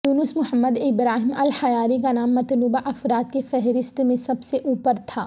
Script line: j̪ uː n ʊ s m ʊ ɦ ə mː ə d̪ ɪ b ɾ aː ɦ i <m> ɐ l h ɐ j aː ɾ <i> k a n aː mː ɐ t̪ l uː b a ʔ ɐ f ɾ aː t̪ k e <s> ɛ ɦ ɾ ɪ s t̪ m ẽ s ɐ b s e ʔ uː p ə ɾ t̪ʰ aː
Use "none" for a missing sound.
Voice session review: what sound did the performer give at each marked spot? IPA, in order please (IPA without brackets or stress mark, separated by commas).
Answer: m, i, f